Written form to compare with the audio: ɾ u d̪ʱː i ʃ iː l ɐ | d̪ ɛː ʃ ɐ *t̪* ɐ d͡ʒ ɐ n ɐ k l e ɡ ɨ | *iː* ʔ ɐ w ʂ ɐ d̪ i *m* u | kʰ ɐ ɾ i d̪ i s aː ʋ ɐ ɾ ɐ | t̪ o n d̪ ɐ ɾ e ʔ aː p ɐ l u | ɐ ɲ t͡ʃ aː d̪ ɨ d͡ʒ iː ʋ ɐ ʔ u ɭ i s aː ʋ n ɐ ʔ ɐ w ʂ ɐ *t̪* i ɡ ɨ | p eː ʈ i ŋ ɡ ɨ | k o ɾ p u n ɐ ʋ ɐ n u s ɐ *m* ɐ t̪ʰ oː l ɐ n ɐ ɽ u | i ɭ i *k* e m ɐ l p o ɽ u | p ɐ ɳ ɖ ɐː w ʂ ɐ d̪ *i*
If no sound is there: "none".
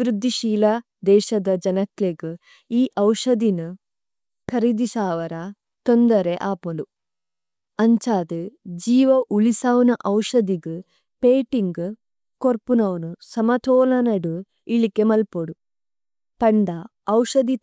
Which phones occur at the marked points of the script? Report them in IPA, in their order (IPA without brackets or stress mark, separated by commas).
d̪, iː, n, d̪, m, k, i